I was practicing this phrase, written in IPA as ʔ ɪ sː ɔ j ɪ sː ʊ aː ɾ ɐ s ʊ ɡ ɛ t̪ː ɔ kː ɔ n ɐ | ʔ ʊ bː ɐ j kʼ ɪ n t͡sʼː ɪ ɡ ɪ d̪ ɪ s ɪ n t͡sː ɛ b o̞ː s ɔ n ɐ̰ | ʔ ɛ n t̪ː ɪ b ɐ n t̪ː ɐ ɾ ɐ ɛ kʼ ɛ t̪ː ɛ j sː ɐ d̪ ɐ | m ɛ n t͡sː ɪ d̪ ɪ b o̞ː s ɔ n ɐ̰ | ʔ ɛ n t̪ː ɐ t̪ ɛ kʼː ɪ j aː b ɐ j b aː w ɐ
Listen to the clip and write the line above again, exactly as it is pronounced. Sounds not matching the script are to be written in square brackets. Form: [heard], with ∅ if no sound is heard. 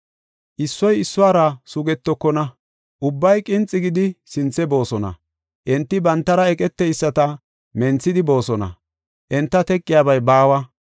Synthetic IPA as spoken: ʔ ɪ sː ɔ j ɪ sː ʊ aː ɾ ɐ s ʊ ɡ ɛ t̪ː ɔ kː ɔ n ɐ | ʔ ʊ bː ɐ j kʼ ɪ n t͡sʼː ɪ ɡ ɪ d̪ ɪ s ɪ n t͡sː ɛ b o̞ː s ɔ n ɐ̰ | ʔ ɛ n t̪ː ɪ b ɐ n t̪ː ɐ ɾ ɐ ɛ kʼ ɛ t̪ː ɛ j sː ɐ [t̪] ɐ | m ɛ n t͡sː ɪ d̪ ɪ b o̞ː s ɔ n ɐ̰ | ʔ ɛ n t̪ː ɐ t̪ ɛ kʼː ɪ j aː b ɐ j b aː w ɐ